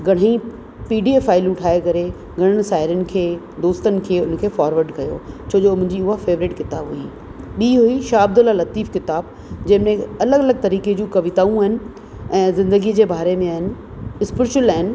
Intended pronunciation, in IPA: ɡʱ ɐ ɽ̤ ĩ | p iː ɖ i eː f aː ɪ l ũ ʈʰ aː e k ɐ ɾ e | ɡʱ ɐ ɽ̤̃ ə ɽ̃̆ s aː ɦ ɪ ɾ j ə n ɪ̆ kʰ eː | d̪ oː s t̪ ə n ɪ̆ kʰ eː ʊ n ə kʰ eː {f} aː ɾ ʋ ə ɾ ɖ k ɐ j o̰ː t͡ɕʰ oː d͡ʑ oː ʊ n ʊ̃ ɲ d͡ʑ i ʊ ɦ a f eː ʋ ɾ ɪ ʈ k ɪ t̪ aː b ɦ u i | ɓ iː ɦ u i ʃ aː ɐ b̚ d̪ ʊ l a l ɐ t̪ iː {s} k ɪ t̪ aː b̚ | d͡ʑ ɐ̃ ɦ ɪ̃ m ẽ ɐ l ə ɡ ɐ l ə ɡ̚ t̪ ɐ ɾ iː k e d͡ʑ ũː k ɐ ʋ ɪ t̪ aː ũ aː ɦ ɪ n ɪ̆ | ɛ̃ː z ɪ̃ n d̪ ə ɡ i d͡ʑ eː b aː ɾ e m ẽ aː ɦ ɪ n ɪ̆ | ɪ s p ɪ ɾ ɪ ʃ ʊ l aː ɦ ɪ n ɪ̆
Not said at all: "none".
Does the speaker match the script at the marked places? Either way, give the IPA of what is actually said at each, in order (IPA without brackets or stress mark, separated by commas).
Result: f, f